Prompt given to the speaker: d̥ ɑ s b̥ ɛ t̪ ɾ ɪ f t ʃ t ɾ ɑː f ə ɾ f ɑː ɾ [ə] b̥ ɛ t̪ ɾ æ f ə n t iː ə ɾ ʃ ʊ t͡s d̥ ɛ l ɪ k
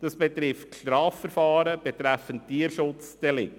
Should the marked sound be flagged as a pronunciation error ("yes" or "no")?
no